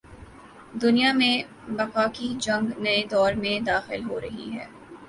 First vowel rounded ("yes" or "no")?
yes